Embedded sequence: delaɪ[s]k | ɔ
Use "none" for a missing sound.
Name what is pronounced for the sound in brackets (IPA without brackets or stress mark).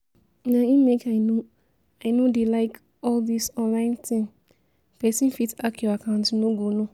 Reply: none